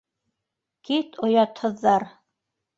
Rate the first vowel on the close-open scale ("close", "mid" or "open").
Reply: close